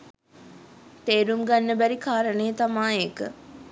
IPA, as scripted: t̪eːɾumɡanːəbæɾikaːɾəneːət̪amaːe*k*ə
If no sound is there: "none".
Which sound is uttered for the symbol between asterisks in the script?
k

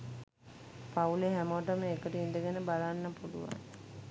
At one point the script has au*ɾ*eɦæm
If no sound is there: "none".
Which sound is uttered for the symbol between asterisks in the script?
l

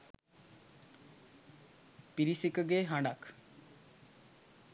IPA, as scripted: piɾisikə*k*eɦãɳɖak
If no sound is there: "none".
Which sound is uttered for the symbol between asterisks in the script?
ɡ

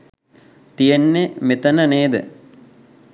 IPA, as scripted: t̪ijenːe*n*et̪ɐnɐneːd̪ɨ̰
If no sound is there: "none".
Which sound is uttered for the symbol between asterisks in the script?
m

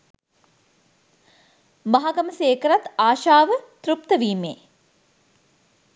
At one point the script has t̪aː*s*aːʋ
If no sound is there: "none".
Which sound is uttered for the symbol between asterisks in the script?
ʃ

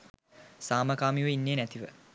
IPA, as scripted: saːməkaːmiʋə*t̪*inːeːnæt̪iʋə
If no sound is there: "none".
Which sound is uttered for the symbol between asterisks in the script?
none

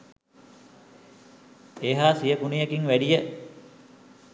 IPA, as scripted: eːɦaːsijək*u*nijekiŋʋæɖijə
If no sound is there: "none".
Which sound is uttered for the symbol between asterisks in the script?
u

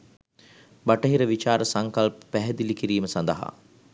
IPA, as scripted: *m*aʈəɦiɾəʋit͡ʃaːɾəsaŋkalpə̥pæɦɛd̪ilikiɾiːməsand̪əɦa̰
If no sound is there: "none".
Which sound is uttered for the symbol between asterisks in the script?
b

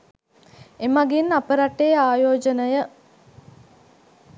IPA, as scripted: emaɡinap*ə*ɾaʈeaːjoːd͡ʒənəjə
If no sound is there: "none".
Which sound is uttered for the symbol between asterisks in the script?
ə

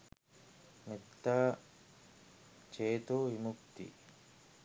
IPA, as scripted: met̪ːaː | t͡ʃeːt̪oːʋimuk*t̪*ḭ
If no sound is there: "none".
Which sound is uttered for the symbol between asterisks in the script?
t̪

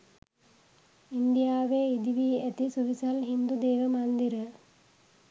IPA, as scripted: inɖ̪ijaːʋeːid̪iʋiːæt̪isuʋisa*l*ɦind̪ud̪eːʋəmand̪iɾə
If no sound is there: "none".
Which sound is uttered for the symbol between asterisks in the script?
l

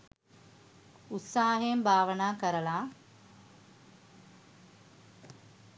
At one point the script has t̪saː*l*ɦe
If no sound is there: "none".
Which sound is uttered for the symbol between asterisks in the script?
none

